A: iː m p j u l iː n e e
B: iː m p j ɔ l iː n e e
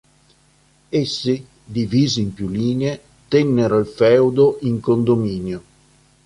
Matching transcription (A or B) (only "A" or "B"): A